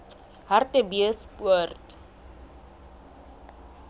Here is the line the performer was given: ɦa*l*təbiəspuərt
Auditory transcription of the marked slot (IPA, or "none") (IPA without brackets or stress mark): r